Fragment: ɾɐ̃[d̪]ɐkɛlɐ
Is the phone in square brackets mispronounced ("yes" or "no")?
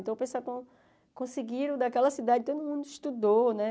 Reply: no